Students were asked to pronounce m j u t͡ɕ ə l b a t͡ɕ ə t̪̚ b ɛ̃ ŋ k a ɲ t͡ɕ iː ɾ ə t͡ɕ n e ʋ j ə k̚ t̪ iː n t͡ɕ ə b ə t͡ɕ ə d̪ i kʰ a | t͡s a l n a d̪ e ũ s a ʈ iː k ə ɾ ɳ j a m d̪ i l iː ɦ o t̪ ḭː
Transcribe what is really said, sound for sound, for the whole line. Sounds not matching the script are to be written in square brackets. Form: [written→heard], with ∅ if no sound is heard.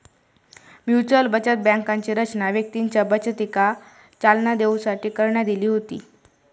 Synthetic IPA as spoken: m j u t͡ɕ ə l b [a→ə] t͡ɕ ə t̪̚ b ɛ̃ ŋ k a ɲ t͡ɕ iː ɾ ə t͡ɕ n [e→a] ʋ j ə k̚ t̪ iː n t͡ɕ ə b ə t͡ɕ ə [d̪→t̪] i [kʰ→k] a | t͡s a l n a d̪ e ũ s a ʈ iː k ə ɾ ɳ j a [m→∅] d̪ i l iː ɦ o t̪ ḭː